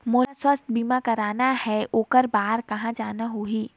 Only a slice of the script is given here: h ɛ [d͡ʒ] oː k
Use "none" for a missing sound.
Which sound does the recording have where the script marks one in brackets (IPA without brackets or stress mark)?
none